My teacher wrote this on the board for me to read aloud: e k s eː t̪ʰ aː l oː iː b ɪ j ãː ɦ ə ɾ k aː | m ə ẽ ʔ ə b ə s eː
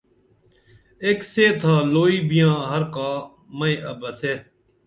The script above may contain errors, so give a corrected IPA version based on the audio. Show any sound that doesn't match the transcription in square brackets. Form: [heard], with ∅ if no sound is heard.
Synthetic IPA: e k s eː t̪ʰ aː l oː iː b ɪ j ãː ɦ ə ɾ k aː | m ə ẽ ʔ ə b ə s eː